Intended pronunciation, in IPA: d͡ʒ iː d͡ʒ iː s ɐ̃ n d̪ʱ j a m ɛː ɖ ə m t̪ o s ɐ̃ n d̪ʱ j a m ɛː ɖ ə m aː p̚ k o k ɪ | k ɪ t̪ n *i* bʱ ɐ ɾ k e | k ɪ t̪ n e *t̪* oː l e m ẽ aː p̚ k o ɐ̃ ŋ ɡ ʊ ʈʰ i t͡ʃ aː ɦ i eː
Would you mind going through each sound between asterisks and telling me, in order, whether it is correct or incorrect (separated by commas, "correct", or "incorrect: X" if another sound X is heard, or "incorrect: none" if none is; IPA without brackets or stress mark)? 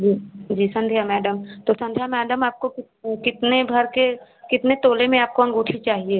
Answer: incorrect: e, correct